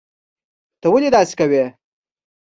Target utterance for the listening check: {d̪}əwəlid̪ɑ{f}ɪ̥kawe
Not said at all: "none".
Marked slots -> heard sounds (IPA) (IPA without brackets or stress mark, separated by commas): t̪, s